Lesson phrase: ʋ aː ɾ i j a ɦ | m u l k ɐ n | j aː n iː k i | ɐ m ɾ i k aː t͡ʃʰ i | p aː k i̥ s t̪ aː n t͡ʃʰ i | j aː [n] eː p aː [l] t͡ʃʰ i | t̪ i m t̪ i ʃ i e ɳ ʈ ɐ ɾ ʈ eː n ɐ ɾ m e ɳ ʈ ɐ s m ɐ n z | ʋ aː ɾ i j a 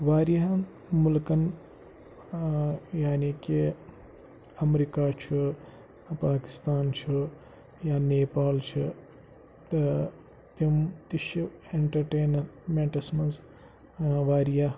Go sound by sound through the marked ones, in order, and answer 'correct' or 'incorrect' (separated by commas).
correct, correct